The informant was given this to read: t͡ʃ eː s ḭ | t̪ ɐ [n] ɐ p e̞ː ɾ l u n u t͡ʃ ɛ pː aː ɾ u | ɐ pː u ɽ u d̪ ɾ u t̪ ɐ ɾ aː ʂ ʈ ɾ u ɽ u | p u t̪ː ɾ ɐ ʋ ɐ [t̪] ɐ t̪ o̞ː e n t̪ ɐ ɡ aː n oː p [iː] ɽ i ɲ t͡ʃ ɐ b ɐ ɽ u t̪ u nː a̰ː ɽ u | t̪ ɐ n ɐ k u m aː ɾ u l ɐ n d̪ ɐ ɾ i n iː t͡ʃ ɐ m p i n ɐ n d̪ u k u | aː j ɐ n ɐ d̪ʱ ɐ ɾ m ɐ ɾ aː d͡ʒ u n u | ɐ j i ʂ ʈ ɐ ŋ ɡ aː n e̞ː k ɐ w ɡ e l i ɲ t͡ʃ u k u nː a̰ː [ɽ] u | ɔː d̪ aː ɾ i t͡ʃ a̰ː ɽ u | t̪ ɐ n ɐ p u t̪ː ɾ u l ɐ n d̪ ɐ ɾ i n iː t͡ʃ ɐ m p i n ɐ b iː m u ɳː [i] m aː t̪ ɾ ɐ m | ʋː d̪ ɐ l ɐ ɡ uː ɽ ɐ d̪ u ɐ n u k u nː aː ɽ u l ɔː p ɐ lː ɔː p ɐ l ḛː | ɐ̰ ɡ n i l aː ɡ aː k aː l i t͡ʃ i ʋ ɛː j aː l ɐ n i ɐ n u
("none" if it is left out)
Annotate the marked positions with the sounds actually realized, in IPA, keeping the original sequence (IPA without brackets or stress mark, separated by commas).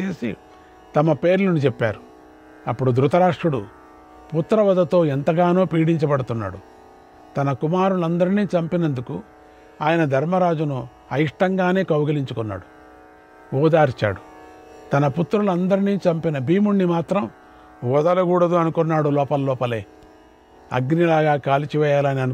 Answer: m, d̪, iː, ɽ, i